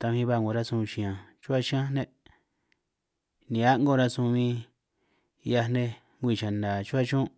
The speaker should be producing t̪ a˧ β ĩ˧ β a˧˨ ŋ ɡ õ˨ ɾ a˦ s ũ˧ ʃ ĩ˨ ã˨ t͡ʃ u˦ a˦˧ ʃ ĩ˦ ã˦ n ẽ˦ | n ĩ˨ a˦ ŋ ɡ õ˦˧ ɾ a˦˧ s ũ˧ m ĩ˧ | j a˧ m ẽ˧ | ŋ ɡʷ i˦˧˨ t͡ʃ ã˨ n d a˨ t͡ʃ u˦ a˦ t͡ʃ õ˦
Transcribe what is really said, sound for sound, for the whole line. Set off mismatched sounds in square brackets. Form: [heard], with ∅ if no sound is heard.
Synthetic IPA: t̪ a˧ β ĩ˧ β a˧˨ ŋ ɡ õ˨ ɾ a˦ s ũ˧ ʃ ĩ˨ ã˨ t͡ʃ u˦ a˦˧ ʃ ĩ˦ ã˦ n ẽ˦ | n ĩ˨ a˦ ŋ ɡ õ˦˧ ɾ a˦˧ s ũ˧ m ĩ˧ | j a˧ [n] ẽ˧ | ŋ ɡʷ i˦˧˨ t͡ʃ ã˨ n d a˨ t͡ʃ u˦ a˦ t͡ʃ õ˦